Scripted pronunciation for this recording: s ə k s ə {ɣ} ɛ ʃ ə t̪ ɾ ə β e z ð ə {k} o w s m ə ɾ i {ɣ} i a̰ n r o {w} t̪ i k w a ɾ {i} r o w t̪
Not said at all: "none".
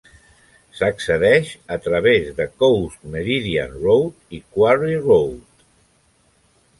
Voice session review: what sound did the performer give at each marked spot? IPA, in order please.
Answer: ð, k, ð, w, i

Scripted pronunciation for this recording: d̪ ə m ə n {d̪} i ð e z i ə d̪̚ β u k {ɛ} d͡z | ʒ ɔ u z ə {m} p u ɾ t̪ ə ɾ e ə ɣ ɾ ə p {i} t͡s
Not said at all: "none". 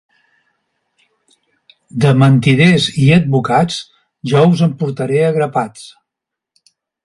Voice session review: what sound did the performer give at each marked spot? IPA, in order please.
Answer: t̪, a, m, a

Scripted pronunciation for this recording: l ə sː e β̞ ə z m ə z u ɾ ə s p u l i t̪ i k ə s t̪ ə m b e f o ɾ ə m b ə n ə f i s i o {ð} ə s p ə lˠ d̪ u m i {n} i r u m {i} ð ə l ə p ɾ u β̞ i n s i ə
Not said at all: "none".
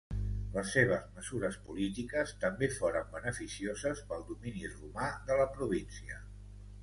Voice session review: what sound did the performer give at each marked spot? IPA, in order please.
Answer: z, n, a

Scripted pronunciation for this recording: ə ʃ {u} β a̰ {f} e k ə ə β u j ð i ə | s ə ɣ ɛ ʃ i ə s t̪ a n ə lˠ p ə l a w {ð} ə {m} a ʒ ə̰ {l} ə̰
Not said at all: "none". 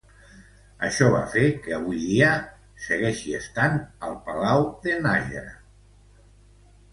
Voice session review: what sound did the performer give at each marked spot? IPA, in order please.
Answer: ɔ, f, ð, n, ɾ

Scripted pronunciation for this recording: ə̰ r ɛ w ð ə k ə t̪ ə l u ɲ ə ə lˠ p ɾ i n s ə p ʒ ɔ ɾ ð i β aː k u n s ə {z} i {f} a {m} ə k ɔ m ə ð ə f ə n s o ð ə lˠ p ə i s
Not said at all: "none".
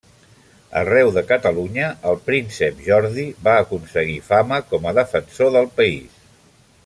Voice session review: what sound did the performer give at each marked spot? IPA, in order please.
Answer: ɣ, f, m

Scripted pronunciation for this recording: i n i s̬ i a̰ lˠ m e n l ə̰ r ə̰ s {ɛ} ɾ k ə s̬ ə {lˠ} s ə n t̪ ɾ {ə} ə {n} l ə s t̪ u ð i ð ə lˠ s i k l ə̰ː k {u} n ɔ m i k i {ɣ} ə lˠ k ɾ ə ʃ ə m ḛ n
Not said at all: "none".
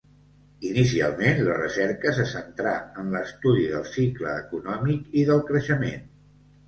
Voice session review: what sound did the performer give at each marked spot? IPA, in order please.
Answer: ɛ, none, a, n, u, ð

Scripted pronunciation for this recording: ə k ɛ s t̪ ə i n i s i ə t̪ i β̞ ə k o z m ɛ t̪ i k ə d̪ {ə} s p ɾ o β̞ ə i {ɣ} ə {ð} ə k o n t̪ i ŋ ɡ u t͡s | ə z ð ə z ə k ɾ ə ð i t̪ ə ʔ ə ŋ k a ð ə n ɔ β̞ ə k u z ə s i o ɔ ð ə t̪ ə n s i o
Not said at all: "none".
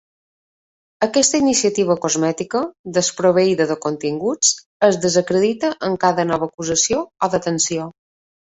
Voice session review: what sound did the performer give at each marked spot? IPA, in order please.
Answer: ə, ð, ð

